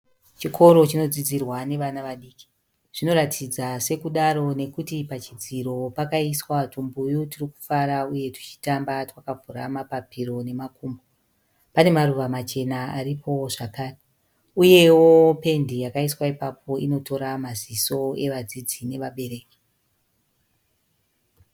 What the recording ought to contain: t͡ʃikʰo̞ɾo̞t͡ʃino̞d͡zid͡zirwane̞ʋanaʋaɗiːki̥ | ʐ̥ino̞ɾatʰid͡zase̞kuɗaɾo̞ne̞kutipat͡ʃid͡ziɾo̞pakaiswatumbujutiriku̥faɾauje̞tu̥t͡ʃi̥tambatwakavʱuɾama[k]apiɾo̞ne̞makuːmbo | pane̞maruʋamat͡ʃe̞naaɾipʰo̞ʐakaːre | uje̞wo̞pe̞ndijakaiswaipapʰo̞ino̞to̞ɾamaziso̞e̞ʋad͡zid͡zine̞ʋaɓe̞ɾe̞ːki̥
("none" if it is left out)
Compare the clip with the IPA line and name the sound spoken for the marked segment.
p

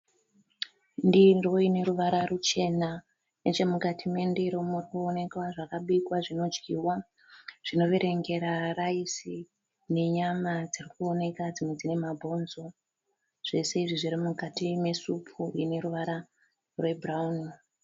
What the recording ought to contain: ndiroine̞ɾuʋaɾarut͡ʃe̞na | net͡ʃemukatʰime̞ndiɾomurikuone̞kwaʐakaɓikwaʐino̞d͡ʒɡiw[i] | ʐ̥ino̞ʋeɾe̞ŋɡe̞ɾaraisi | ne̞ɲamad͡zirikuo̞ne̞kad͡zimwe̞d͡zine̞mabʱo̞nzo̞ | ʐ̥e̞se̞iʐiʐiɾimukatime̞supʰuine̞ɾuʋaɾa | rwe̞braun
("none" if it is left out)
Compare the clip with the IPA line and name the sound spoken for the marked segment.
a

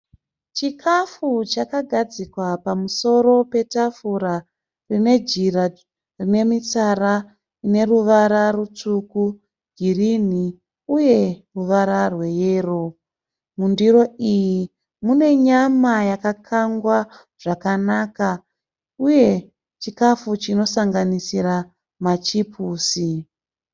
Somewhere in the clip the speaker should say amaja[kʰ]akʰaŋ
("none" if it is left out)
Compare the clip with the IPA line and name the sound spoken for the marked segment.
k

